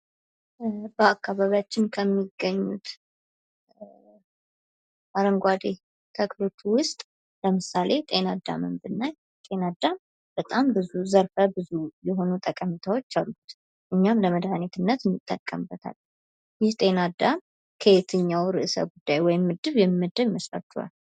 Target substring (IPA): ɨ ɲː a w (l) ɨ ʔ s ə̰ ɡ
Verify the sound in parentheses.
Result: incorrect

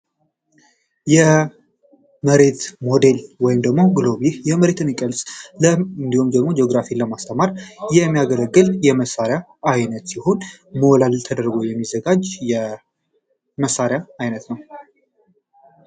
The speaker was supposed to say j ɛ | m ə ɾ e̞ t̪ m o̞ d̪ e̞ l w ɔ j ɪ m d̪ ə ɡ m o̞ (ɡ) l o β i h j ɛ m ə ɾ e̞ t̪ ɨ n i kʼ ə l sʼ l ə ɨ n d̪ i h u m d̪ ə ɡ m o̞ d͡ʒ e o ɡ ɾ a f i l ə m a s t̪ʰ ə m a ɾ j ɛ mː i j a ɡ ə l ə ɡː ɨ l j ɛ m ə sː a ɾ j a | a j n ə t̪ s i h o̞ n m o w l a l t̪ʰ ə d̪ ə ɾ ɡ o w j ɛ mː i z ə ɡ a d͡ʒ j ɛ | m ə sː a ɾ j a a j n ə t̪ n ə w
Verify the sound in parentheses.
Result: correct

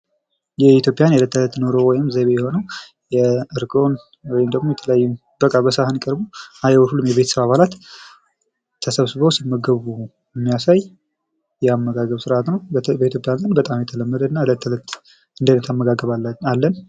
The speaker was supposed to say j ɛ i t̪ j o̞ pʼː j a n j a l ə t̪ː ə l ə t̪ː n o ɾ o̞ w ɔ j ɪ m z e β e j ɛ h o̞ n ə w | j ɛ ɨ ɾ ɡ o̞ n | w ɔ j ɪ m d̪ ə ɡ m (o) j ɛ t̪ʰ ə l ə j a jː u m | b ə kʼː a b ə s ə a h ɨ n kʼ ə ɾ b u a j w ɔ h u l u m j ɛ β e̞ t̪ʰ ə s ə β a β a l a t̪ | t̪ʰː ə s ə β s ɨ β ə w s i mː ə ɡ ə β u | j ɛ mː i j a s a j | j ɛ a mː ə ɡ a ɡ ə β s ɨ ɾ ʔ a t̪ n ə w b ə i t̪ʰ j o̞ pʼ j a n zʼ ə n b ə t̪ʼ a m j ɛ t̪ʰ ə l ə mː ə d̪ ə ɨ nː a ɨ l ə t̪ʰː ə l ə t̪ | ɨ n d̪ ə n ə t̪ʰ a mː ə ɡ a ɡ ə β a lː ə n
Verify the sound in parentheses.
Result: correct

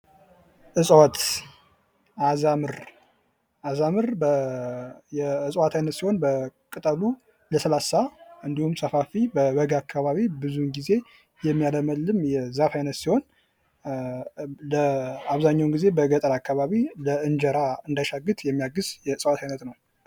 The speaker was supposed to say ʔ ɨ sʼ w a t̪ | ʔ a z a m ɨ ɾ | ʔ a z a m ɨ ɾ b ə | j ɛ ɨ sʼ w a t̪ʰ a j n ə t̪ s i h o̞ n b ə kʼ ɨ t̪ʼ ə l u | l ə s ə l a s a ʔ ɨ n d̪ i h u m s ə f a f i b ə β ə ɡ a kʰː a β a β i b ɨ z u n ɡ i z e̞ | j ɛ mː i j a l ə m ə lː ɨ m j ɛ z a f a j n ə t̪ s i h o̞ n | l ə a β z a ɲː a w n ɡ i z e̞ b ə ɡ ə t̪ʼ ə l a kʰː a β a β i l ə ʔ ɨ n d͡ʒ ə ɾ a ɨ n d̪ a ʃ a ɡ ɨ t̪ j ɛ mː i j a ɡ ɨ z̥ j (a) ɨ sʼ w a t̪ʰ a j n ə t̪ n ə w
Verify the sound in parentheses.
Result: incorrect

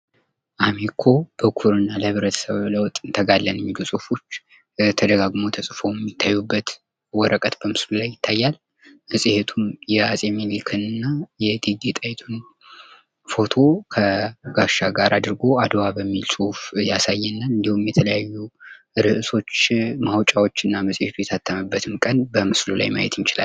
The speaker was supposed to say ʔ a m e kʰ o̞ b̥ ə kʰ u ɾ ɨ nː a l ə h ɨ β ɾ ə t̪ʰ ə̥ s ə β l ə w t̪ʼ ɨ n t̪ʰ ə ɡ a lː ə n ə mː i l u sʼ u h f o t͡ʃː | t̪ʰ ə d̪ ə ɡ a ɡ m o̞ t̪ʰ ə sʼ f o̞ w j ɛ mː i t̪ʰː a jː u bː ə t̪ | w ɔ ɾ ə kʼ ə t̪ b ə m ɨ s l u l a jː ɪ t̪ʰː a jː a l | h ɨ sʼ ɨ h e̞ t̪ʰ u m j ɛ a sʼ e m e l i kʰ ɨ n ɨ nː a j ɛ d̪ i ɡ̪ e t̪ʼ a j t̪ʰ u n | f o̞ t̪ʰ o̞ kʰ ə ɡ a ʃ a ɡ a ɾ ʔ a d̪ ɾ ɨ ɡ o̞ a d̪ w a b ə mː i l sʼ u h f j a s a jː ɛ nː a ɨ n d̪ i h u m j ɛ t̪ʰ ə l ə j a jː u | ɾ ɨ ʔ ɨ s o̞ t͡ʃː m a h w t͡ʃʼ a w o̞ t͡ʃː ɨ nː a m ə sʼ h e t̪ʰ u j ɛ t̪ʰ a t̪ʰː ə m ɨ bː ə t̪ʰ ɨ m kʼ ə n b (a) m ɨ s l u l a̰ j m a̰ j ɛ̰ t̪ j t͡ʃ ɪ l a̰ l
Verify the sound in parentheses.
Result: incorrect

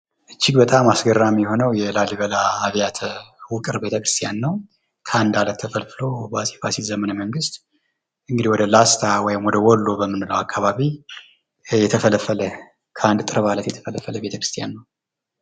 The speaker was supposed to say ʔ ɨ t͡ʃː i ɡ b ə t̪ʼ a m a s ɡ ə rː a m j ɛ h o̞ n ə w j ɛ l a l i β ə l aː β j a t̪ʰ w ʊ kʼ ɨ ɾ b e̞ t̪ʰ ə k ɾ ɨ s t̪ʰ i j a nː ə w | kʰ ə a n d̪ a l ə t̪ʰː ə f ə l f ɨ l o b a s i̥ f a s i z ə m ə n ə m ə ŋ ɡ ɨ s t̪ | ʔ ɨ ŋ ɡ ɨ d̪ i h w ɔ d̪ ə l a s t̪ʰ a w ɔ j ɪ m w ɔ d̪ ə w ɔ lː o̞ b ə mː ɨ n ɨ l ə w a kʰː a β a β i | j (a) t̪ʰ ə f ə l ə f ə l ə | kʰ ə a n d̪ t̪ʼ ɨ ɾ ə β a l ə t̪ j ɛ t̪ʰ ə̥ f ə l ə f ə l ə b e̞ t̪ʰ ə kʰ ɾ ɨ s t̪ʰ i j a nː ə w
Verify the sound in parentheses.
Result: incorrect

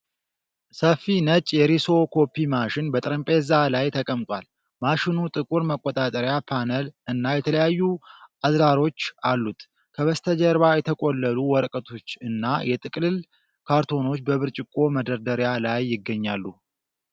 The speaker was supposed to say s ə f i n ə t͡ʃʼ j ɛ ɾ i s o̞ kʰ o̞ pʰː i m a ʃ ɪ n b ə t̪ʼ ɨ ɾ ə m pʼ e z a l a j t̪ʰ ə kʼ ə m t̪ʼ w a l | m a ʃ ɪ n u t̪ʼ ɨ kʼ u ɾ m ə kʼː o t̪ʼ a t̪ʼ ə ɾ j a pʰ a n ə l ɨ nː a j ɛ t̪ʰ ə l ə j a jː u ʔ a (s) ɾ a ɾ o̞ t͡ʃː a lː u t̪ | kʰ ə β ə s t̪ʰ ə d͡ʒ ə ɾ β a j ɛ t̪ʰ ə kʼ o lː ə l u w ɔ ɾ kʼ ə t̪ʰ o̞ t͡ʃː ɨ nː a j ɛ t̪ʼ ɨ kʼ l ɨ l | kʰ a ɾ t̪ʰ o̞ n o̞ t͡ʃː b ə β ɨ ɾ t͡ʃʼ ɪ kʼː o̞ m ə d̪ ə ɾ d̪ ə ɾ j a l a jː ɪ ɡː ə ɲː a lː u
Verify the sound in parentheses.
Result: incorrect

